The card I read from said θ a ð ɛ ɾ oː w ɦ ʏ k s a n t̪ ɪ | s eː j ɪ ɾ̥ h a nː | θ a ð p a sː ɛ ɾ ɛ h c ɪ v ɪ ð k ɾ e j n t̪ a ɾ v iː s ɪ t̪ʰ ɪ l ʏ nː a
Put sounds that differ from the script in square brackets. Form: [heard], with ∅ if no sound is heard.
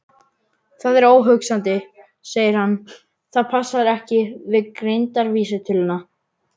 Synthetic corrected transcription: θ a ð ɛ ɾ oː w ɦ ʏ k s a n t̪ ɪ | s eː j ɪ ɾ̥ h a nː | θ a ð [pʰ] a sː [a] ɾ ɛ h c ɪ v ɪ ð k ɾ e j n t̪ a ɾ v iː s ɪ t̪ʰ ɪ l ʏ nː a